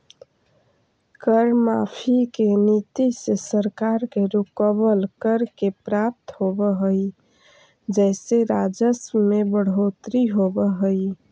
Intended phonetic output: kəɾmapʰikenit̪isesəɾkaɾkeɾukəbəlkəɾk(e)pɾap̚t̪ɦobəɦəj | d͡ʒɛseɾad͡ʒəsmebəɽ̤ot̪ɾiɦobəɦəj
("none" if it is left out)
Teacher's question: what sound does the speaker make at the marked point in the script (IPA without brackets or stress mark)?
e